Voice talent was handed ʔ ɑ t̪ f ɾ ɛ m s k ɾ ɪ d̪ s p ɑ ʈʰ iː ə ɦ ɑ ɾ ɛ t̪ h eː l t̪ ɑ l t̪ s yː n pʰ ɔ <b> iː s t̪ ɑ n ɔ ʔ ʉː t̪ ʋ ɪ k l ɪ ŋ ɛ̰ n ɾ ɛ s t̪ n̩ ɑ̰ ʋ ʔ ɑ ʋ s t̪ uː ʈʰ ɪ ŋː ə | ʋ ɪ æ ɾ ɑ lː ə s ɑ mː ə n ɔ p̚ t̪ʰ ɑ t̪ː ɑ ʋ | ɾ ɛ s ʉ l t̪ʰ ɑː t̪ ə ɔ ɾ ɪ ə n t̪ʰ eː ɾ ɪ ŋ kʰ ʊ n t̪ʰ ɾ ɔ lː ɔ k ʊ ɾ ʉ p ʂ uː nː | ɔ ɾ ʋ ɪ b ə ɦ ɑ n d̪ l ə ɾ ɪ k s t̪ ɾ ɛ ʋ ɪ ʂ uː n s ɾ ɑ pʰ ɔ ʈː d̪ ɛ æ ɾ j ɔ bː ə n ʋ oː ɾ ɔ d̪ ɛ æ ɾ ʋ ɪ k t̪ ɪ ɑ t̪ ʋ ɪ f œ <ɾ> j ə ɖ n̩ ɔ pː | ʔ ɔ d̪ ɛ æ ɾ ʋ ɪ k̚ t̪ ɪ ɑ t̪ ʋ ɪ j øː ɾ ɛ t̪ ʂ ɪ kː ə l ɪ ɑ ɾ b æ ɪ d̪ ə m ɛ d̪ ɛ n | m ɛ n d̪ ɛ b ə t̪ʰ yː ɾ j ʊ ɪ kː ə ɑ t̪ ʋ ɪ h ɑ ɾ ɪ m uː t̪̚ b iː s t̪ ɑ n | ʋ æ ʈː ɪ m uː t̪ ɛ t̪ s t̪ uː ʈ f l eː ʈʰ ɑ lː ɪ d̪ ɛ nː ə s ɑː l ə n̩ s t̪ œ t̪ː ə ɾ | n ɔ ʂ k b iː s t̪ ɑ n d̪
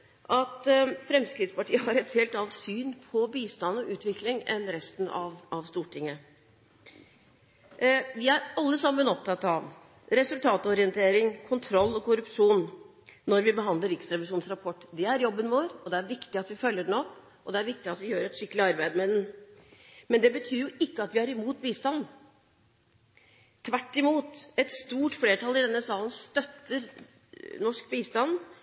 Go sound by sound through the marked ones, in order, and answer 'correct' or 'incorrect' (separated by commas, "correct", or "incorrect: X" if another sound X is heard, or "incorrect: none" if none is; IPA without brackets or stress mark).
correct, incorrect: l